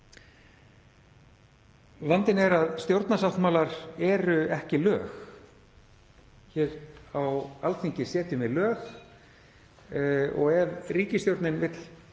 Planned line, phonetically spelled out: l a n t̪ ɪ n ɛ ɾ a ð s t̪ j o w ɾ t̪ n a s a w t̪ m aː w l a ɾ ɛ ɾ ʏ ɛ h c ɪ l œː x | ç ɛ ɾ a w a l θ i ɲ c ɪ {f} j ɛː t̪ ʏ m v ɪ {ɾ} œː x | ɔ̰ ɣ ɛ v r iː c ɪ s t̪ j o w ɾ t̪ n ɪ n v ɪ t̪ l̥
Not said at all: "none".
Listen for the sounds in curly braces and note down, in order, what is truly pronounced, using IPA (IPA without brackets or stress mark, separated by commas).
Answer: s, l